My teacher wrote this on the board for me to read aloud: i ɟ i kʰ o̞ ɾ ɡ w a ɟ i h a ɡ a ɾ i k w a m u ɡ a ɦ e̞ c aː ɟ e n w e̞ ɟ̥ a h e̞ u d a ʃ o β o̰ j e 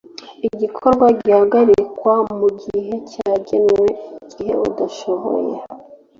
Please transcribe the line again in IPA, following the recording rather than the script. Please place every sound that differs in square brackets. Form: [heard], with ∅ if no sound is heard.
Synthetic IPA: i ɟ i kʰ o̞ ɾ ɡ w a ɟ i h a ɡ a ɾ i k w a m u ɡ [i] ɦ e̞ c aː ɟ e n w e̞ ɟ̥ [i] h e̞ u d a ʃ o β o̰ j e